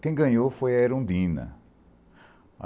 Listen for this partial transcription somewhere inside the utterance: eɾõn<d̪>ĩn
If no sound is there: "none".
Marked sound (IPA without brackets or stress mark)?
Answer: d̪